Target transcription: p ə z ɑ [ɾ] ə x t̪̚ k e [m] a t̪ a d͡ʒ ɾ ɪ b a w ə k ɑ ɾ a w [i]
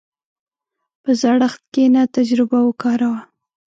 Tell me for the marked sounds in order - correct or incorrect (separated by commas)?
incorrect, incorrect, incorrect